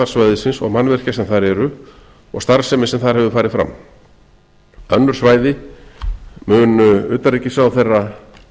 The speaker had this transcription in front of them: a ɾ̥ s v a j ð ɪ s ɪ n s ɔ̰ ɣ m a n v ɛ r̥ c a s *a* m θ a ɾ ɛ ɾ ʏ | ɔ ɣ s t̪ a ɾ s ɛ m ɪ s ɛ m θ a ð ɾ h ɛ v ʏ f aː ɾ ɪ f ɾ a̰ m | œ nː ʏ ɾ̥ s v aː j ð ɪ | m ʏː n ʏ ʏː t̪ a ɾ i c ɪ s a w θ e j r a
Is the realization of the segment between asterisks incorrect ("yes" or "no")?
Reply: yes